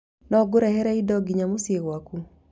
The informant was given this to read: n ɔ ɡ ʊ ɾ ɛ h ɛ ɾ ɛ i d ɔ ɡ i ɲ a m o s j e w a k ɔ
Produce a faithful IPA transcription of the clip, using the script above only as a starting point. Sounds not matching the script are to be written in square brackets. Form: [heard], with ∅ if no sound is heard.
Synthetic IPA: n ɔ ɡ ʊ ɾ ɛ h ɛ ɾ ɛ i d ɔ ɡ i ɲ a m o s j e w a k [u]